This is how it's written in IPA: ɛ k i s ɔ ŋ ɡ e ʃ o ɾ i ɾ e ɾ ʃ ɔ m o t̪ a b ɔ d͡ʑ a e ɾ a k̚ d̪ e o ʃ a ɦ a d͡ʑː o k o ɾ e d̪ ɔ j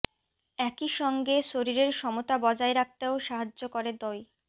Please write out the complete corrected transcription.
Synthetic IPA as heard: ɛ k i ʃ ɔ ŋ ɡ e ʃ o ɾ i ɾ e ɾ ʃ ɔ m o t̪ a b ɔ d͡ʑ a e ɾ a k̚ t̪ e o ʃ a ɦ a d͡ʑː o k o ɾ e d̪ ɔ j